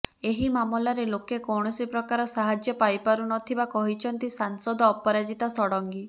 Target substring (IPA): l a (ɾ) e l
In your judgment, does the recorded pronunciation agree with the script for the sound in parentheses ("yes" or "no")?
yes